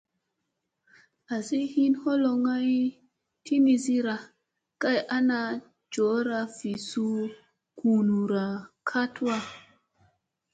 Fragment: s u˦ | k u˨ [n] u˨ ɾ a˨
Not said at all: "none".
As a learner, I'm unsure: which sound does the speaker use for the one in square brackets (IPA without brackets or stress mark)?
n